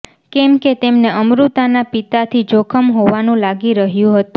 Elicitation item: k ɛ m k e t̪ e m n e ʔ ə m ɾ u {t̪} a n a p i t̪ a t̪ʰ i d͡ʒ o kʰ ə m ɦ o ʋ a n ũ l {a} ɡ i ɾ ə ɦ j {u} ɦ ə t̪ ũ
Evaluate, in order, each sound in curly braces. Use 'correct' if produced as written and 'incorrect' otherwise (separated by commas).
correct, correct, incorrect